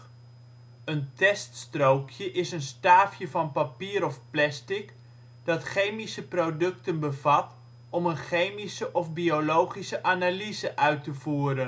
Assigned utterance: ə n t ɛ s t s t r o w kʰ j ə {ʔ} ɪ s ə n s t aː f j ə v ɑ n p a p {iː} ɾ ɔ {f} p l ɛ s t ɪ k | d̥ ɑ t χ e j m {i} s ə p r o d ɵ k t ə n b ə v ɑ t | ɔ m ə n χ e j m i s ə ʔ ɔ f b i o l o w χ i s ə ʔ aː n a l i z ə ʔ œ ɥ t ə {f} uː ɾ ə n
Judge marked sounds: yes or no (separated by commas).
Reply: yes, yes, yes, yes, no